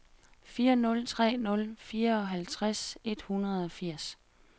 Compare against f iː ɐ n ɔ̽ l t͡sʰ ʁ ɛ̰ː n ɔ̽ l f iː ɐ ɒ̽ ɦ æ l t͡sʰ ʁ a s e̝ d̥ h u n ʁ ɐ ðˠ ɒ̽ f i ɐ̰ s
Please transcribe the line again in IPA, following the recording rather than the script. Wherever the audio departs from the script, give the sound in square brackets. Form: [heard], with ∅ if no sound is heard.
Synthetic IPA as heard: f iː ɐ n ɔ̽ l t͡sʰ ʁ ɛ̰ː n ɔ̽ l f iː ɐ ɒ̽ ɦ æ l t͡sʰ ʁ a s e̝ d̥ h u n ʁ ɐ ðˠ ɒ̽ f i ɐ̰ s

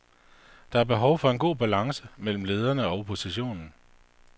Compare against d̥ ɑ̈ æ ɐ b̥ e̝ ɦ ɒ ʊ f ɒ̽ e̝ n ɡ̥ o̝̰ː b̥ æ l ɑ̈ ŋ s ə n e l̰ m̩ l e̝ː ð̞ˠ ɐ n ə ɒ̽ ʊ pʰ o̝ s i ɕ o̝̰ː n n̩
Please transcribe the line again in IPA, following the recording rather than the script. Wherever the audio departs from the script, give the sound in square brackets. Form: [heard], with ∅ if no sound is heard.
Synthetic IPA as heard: d̥ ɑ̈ æ ɐ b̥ e̝ ɦ ɒ ʊ f ɒ̽ e̝ n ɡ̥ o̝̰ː b̥ æ l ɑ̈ ŋ s ə [m] e l̰ m̩ l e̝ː ð̞ˠ ɐ n ə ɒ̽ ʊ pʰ o̝ s i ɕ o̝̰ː n n̩

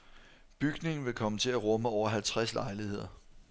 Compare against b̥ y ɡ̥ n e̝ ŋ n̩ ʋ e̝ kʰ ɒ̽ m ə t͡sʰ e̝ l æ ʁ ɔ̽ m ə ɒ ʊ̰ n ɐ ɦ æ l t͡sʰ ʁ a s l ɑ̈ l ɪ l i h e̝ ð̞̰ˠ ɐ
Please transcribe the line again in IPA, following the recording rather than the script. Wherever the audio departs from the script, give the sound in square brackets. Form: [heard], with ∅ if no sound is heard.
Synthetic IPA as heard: b̥ y ɡ̥ n e̝ ŋ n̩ ʋ e̝ kʰ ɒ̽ m ə t͡sʰ e̝ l æ ʁ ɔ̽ m ə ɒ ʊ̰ [∅] ɐ ɦ æ l t͡sʰ ʁ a s l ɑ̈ [∅] ɪ l i h e̝ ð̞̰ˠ ɐ

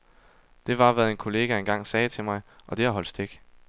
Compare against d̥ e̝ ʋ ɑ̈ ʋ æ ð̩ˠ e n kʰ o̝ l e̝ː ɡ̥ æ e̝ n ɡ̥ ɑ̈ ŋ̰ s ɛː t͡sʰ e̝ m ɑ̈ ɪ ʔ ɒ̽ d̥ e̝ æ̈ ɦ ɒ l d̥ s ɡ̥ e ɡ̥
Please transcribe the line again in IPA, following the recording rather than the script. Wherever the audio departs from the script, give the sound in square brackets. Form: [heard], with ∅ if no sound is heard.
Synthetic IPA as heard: d̥ e̝ ʋ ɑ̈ ʋ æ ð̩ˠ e n kʰ o̝ l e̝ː ɡ̥ æ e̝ n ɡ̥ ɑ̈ ŋ̰ s ɛː t͡sʰ e̝ m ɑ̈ ɪ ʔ ɒ̽ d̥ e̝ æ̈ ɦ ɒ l d̥ s [d̥] e ɡ̥

